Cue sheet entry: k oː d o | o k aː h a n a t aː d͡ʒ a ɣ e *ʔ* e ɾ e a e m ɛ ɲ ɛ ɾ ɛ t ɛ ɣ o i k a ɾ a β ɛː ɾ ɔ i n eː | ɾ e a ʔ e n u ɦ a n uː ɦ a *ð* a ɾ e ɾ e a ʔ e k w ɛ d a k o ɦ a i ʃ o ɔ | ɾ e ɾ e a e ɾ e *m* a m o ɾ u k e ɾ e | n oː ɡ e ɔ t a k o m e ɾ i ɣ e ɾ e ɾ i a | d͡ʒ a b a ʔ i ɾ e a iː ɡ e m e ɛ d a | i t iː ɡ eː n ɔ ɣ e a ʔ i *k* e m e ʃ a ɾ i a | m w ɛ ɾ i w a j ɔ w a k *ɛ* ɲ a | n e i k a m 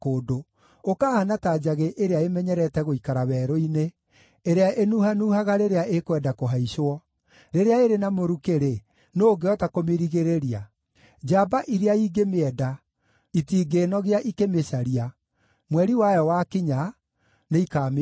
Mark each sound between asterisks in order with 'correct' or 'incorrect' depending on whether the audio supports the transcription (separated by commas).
correct, incorrect, incorrect, correct, incorrect